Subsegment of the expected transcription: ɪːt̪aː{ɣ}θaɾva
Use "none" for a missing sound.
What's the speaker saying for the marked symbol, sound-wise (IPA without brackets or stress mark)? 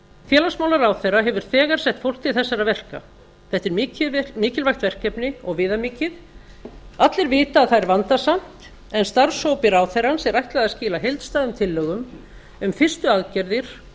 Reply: ð